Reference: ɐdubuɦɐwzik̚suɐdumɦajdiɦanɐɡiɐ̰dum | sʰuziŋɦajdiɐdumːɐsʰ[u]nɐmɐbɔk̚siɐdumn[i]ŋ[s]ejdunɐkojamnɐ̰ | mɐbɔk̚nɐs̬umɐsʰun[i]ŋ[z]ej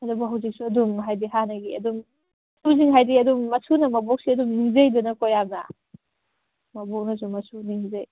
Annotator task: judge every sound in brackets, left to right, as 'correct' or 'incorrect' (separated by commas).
correct, correct, incorrect, correct, correct